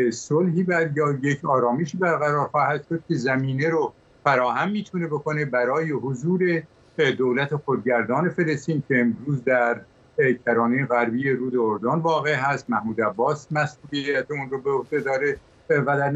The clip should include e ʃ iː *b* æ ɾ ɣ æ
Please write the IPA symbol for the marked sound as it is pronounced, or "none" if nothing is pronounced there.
b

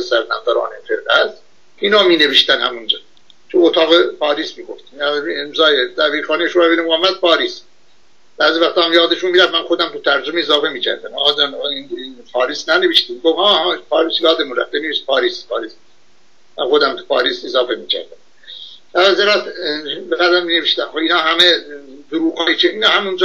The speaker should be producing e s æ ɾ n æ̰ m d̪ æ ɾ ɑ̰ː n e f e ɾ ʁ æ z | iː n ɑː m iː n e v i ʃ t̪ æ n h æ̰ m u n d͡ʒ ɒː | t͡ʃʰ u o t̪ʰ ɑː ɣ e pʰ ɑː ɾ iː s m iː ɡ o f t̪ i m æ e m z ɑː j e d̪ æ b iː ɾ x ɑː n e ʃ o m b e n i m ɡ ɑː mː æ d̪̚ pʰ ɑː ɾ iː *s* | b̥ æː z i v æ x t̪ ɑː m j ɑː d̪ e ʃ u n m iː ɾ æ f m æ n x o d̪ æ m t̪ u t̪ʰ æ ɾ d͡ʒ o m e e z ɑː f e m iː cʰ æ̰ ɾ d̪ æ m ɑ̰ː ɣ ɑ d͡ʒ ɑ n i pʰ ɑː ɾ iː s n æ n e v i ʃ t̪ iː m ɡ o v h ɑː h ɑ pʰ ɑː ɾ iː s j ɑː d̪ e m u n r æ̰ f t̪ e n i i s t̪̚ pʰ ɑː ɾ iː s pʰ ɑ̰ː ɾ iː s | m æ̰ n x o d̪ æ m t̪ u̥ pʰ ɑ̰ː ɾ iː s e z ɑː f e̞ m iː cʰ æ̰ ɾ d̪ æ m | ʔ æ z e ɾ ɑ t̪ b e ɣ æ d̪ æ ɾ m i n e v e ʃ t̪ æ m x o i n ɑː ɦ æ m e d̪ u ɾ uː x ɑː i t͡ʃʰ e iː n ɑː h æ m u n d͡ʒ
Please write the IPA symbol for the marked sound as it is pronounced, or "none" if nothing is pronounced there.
s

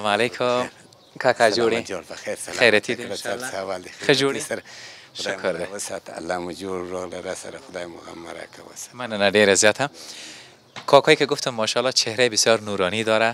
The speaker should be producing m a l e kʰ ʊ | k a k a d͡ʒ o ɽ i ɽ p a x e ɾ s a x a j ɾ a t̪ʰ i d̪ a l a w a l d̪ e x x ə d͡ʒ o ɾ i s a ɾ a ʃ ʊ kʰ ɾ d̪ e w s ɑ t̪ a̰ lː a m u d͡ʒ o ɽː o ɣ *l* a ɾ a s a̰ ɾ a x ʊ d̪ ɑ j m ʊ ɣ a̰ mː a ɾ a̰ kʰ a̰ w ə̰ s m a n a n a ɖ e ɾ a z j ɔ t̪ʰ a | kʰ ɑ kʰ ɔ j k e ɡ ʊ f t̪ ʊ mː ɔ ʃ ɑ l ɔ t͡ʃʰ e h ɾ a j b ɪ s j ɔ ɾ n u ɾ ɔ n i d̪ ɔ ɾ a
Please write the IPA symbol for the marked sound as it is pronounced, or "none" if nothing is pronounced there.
l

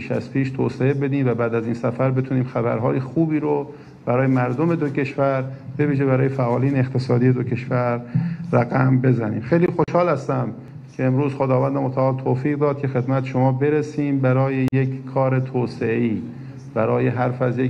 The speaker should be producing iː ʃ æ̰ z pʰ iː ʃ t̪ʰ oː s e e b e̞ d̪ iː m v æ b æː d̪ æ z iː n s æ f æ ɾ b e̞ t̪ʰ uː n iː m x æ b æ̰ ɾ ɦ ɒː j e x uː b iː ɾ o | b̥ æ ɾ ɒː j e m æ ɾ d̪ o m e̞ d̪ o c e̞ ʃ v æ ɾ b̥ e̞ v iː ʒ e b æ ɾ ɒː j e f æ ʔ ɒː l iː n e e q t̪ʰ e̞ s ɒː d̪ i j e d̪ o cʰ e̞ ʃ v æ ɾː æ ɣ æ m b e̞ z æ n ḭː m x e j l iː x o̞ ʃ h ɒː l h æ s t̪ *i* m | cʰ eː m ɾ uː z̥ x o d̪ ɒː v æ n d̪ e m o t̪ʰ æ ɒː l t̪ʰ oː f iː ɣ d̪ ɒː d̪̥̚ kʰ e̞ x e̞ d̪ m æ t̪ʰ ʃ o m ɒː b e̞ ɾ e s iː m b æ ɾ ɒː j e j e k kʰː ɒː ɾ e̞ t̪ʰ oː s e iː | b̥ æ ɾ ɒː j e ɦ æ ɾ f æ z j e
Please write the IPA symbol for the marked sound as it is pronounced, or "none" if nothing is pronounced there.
æ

